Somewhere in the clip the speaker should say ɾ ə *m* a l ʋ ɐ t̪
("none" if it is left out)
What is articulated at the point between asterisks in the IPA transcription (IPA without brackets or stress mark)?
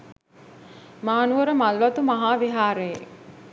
m